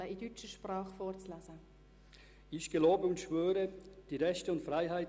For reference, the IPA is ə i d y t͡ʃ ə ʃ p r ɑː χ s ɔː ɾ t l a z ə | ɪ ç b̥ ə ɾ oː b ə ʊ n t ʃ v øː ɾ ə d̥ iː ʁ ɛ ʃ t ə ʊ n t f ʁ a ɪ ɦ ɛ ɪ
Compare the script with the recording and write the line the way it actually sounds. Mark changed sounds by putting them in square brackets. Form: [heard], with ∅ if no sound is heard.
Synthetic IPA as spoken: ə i d y t͡ʃ ə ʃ p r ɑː χ [f] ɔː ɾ [t͡s] l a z ə | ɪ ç [ɡ̥] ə [l] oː b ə ʊ n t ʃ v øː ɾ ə d̥ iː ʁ ɛ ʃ t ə ʊ n t f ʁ a ɪ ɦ [a] ɪ